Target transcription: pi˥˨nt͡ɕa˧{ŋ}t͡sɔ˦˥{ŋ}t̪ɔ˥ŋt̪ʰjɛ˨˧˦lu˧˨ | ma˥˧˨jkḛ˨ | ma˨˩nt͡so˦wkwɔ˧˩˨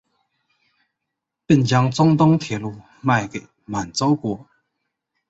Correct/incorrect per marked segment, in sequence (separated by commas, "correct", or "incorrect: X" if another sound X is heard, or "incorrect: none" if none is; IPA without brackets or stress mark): correct, correct